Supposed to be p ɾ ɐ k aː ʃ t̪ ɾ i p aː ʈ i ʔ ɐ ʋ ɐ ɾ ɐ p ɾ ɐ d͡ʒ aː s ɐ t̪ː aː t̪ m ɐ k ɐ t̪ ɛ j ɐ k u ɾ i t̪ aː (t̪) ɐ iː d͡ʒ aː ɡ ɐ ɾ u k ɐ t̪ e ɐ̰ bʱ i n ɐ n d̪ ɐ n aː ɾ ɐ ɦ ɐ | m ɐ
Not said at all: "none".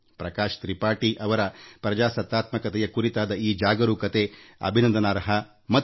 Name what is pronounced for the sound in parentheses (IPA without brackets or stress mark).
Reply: d̪